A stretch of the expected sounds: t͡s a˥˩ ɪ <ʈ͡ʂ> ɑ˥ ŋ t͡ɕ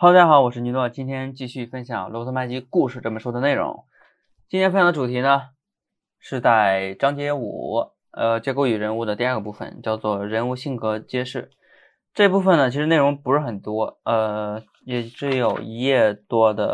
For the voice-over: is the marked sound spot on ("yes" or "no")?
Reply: yes